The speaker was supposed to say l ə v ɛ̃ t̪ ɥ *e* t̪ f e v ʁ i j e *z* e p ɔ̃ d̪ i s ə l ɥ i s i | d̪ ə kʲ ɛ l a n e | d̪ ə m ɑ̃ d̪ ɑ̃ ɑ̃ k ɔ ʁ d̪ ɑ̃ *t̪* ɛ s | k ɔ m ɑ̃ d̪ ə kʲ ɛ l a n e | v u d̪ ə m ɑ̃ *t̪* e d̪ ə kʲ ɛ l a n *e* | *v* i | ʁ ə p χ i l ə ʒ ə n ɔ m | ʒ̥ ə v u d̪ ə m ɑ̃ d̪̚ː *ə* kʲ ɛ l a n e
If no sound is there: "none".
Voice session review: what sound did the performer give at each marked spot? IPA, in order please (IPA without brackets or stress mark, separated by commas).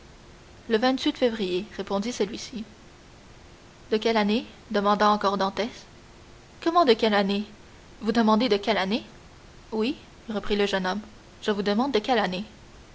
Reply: i, ʁ, t̪, d̪, e, w, ə